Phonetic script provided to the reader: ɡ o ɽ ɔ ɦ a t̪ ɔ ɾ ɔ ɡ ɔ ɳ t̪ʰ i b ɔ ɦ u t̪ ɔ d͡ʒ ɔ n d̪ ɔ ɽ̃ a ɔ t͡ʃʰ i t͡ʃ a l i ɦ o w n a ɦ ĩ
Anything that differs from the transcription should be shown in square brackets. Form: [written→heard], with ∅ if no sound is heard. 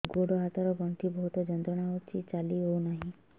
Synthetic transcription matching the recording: ɡ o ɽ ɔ ɦ a t̪ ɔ ɾ ɔ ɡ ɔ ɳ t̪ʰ i b ɔ ɦ u t̪ ɔ d͡ʒ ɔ n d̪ ɔ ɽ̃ a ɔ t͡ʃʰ i t͡ʃ a l i ɦ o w n a ɦ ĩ